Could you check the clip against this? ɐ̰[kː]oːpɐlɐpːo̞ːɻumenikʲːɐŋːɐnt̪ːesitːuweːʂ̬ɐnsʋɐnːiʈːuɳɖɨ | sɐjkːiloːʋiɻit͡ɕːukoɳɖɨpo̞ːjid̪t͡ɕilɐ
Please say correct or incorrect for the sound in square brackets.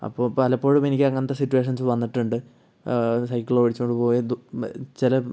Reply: incorrect